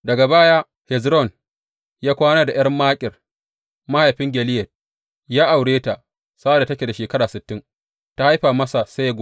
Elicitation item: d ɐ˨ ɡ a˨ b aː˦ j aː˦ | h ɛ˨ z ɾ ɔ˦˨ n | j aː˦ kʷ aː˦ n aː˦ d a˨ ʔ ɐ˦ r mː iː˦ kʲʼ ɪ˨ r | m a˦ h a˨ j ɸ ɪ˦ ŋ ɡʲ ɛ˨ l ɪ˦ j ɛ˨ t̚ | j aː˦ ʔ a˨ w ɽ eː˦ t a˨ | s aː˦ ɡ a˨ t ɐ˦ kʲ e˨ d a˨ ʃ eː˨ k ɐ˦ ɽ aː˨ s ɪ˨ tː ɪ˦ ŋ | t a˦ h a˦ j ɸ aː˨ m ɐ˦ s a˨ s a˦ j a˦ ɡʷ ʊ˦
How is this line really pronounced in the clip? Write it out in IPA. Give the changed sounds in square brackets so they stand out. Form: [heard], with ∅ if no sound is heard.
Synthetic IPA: d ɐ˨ ɡ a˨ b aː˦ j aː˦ | h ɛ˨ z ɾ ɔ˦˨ n | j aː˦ kʷ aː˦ n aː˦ d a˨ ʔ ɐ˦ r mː [aː˦] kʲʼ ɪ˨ r | m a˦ h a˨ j ɸ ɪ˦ ŋ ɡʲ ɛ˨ l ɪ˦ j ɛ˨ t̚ | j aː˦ ʔ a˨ w ɽ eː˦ t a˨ | s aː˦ [d] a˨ t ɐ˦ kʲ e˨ d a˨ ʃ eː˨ k ɐ˦ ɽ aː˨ s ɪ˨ tː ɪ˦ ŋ | t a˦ h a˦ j ɸ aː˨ m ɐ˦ s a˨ s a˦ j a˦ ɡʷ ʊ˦